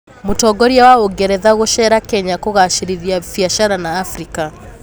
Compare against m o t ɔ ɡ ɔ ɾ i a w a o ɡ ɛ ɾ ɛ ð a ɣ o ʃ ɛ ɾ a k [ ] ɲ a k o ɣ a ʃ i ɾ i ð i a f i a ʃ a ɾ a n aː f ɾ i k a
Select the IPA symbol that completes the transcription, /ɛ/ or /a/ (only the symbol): ɛ